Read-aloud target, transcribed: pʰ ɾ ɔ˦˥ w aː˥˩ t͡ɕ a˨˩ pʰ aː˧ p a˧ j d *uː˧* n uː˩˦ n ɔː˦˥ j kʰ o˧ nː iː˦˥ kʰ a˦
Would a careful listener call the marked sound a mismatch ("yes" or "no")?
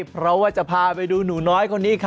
no